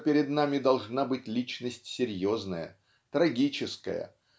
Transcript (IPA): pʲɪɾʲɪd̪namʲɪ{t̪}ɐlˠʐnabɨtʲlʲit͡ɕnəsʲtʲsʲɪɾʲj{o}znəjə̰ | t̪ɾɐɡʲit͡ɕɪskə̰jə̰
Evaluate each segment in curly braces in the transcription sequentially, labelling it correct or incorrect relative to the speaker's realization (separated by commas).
incorrect, correct